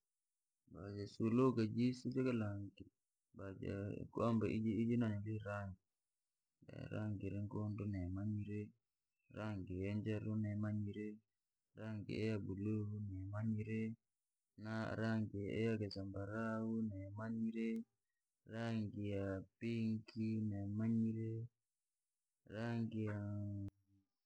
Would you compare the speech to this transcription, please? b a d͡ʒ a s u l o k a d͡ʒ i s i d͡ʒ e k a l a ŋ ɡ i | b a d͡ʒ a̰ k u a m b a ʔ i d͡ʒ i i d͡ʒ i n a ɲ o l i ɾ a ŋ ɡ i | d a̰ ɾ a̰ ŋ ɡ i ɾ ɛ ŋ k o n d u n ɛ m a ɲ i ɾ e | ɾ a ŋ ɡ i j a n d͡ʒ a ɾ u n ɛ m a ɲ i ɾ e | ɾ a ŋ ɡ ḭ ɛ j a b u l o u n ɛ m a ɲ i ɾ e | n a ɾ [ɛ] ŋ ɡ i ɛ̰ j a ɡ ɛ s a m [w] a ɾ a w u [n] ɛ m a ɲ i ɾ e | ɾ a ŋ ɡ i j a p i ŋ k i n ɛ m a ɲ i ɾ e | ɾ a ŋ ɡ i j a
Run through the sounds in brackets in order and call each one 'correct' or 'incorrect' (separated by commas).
incorrect, incorrect, correct